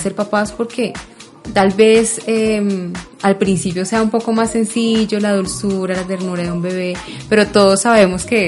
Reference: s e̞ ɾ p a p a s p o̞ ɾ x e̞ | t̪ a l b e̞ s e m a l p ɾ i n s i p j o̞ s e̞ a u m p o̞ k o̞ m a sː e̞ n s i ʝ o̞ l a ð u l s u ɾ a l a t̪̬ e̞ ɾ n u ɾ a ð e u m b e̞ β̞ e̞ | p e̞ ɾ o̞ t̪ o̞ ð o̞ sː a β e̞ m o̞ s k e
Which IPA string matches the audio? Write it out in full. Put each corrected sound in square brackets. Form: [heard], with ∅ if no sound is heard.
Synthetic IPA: s e̞ ɾ p a p a s p o̞ ɾ [k] e̞ | t̪ a l b e̞ s e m a l p ɾ i n s i p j o̞ s e̞ a u m p o̞ k o̞ m a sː e̞ n s i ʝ o̞ l a ð u l s u ɾ a l a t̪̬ e̞ ɾ n u ɾ a ð e u m b e̞ β̞ e̞ | p e̞ ɾ o̞ t̪ o̞ ð o̞ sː a β e̞ m o̞ s k e